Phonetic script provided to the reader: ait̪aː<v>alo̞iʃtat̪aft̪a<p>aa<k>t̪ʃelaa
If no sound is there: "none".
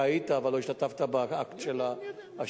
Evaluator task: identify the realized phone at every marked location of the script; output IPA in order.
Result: v, b, k

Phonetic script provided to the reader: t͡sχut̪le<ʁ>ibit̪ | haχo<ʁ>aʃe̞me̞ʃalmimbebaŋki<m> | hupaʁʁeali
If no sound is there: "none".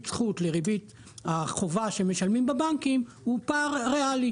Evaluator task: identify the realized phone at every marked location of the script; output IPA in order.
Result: ʁ, v, m

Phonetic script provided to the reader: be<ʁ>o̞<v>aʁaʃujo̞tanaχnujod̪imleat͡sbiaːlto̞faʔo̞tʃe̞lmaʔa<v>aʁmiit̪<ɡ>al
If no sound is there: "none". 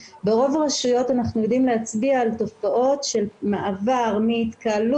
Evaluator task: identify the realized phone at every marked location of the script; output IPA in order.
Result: ʁ, v, v, k

